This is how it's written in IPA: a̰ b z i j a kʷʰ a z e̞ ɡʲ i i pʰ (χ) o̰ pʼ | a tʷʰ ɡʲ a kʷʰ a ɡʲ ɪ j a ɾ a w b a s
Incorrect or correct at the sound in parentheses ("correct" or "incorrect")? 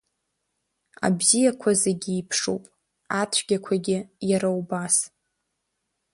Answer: incorrect